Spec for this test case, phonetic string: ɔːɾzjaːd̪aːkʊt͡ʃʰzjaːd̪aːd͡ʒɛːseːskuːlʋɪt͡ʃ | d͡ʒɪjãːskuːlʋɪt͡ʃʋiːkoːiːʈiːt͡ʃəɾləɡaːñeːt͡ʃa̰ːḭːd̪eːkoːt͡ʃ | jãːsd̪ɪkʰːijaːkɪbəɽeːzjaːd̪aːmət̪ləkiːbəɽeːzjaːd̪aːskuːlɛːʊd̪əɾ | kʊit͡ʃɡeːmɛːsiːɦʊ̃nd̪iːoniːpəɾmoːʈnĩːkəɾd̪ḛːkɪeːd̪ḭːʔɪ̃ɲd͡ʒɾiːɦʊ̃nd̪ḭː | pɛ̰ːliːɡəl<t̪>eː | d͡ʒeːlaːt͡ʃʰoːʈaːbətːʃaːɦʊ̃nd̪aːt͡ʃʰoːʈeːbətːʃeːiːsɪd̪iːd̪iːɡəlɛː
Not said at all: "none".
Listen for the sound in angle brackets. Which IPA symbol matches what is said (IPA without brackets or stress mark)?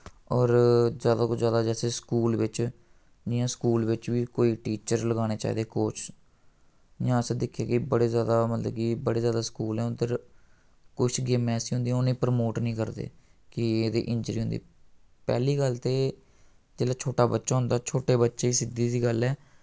t̪